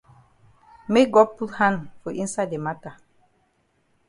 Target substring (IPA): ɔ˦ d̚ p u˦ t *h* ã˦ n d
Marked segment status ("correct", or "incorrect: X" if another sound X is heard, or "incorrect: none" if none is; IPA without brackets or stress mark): correct